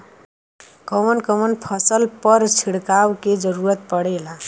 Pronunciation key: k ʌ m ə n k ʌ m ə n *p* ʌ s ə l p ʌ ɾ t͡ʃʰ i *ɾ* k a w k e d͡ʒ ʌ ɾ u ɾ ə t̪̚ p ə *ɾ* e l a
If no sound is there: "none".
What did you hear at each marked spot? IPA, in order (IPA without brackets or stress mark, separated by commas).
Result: pʰ, ɽ, ɽ